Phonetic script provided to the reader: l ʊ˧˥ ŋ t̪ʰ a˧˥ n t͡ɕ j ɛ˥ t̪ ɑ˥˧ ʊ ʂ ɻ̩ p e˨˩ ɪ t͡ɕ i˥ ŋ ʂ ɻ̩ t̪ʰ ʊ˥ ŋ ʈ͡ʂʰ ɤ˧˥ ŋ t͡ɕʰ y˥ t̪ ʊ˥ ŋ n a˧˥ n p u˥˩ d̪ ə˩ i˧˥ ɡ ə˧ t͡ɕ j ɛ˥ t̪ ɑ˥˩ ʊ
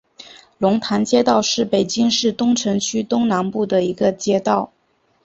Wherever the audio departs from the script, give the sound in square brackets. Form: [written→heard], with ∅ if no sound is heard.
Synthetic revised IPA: l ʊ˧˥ ŋ t̪ʰ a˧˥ n t͡ɕ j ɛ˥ t̪ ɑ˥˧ ʊ ʂ ɻ̩ p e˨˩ ɪ t͡ɕ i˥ ŋ ʂ ɻ̩ [t̪ʰ→t̪] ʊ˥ ŋ ʈ͡ʂʰ ɤ˧˥ ŋ t͡ɕʰ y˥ t̪ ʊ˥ ŋ n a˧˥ n p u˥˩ d̪ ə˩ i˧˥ ɡ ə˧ t͡ɕ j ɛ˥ t̪ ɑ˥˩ ʊ